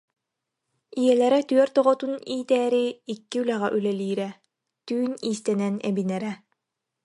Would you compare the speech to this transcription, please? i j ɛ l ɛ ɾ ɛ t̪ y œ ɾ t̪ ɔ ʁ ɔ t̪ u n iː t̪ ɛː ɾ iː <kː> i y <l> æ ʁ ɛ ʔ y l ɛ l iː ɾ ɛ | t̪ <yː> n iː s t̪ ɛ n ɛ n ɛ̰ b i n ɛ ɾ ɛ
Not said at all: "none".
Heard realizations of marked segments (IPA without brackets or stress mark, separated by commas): kː, l, yː